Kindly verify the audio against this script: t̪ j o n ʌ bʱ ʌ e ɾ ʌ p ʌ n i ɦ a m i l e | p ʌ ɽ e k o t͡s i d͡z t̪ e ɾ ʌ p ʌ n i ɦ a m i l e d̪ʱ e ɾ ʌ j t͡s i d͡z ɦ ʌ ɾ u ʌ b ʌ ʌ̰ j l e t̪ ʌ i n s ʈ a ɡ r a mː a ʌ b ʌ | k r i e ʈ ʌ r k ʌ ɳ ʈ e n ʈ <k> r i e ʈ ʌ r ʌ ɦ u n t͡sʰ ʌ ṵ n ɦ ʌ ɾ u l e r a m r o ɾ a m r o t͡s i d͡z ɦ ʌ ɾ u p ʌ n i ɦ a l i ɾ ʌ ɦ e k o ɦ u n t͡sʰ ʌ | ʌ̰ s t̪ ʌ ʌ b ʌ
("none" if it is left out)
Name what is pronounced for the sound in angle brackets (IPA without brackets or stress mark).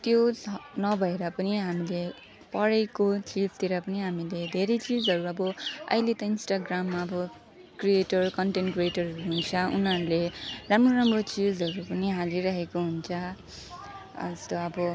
k